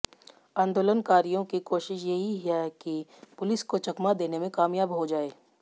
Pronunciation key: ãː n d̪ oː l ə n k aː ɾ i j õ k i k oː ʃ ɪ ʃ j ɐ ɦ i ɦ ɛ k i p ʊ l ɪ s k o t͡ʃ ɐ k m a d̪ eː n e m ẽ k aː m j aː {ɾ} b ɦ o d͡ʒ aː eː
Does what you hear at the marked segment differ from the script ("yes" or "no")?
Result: yes